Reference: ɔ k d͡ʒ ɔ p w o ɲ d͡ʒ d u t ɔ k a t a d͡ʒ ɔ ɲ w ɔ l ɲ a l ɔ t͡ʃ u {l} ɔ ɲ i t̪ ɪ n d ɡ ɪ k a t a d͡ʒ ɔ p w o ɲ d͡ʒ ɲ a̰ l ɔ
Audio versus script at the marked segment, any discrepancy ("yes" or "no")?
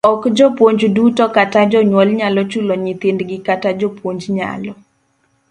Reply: no